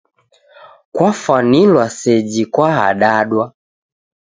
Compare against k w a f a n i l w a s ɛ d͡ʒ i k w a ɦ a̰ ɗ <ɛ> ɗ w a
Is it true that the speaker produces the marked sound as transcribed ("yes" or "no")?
no